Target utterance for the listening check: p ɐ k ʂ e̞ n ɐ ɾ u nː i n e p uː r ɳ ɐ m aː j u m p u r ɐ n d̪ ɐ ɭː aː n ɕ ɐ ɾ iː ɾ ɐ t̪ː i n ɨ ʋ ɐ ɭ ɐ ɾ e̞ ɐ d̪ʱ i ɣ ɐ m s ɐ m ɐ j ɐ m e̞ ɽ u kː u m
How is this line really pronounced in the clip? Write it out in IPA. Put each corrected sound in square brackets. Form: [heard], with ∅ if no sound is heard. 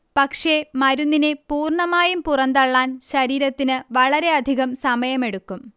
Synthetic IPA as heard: p ɐ k ʂ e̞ [m] ɐ ɾ u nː i n e p uː r ɳ ɐ m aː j u m p u r ɐ n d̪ ɐ ɭː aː n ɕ ɐ ɾ iː ɾ ɐ t̪ː i n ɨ ʋ ɐ ɭ ɐ ɾ e̞ ɐ d̪ʱ i ɣ ɐ m s ɐ m ɐ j ɐ m e̞ ɽ u kː u m

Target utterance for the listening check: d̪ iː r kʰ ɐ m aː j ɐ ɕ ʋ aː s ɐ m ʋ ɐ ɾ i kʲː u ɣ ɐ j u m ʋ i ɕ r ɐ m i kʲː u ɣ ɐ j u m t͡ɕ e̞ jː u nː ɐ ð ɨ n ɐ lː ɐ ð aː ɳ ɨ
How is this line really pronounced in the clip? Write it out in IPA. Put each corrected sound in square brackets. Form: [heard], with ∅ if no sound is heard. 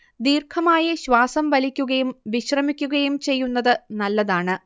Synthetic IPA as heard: d̪ iː r kʰ ɐ m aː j ɐ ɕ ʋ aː s ɐ m ʋ ɐ [l] i kʲː u ɣ ɐ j u m ʋ i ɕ r ɐ m i kʲː u ɣ ɐ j u m t͡ɕ e̞ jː u nː ɐ ð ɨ n ɐ lː ɐ ð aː ɳ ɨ

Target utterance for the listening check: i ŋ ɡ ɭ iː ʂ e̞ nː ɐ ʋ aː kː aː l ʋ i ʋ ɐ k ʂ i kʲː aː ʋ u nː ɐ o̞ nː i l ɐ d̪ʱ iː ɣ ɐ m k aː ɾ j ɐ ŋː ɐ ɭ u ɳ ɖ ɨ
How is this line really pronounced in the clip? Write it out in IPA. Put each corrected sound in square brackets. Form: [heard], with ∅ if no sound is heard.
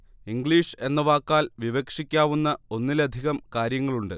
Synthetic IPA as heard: i ŋ ɡ ɭ iː ʂ e̞ nː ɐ ʋ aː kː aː l ʋ i ʋ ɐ k ʂ i kʲː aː ʋ u nː ɐ o̞ nː i l ɐ d̪ʱ [i] ɣ ɐ m k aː ɾ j ɐ ŋː ɐ ɭ u ɳ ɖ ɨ

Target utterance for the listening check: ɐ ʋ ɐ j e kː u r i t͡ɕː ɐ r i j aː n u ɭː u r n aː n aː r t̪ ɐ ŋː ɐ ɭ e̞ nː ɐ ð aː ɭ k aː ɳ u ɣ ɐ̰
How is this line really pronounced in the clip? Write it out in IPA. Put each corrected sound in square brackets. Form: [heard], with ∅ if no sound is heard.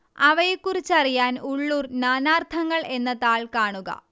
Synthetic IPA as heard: ɐ ʋ ɐ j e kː u r i t͡ɕː ɐ r i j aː n u ɭː u r n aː n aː r [t̪ʰ] ɐ ŋː ɐ ɭ e̞ nː ɐ ð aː ɭ k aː ɳ u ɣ ɐ̰

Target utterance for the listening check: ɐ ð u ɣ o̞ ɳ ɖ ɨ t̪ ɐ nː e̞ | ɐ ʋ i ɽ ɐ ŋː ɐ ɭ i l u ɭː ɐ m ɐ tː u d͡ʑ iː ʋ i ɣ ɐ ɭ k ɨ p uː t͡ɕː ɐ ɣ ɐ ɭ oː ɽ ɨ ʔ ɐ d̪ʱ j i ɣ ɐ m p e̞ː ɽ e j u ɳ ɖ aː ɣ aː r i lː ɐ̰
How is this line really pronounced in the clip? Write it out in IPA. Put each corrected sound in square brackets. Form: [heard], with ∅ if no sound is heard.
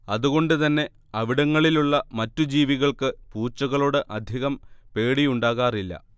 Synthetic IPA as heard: ɐ ð u ɣ o̞ ɳ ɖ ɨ t̪ ɐ nː e̞ | ɐ ʋ i ɽ ɐ ŋː ɐ ɭ i l u ɭː ɐ m ɐ tː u d͡ʑ iː ʋ i ɣ ɐ ɭ k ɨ p uː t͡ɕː ɐ ɣ ɐ ɭ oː ɽ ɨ ʔ ɐ d̪ʱ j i ɣ ɐ m p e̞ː ɽ [i] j u ɳ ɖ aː ɣ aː r i lː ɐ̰

